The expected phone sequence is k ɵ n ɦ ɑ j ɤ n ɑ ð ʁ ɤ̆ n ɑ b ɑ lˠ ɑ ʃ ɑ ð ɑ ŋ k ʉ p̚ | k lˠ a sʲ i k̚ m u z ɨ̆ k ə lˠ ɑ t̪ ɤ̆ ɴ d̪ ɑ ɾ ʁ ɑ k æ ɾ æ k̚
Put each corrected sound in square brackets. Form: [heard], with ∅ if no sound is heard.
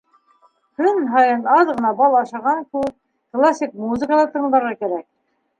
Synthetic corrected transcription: k ɵ n ɦ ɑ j ɤ n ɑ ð ʁ ɤ̆ n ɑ b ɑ lˠ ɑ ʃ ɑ [ʁ] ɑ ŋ k ʉ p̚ | k lˠ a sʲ i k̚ m u z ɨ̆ k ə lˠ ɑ t̪ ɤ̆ ɴ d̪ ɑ ɾ ʁ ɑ k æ ɾ æ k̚